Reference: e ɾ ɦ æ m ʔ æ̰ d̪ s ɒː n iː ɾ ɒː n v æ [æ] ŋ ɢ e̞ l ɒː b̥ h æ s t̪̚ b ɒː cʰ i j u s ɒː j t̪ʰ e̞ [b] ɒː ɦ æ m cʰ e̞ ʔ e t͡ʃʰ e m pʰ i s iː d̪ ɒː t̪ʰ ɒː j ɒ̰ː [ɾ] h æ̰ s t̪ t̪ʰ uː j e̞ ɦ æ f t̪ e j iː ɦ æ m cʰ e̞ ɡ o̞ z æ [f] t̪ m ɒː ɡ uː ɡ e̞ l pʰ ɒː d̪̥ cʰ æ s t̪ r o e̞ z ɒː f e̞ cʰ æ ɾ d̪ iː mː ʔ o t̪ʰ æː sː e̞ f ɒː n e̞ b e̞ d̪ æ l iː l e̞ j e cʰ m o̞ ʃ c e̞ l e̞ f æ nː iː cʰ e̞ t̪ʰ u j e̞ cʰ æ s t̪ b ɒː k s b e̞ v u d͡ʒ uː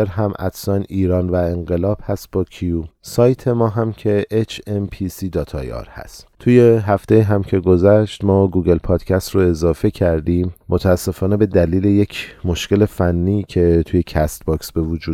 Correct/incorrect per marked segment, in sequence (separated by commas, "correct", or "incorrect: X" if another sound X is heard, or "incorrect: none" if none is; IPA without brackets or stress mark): incorrect: e, incorrect: m, correct, incorrect: ʃ